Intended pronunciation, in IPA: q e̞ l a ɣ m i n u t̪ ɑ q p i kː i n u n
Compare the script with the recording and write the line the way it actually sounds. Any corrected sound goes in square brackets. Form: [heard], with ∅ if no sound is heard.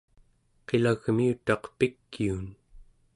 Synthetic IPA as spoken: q e̞ l a ɣ m i [∅] u t̪ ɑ q p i kː i [∅] u n

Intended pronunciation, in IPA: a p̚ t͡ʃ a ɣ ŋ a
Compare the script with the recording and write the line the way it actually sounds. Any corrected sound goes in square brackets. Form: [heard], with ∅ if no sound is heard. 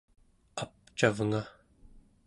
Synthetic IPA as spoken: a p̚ t͡ʃ a [v] ŋ a

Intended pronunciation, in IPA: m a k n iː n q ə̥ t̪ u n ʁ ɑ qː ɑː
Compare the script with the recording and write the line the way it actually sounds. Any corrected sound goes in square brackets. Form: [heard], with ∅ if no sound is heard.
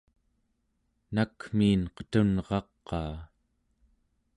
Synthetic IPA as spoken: [n] a k [m] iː n q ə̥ t̪ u n ʁ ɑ qː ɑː

